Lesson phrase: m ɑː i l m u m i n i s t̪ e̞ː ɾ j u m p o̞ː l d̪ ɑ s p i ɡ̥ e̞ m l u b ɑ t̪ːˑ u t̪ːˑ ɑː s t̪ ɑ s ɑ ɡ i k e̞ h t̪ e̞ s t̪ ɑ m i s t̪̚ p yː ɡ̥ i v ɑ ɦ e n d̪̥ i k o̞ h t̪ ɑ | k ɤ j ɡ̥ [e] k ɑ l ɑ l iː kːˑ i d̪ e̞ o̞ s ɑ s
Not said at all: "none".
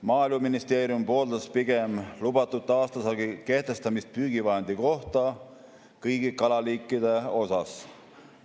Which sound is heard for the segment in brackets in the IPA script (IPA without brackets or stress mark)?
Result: i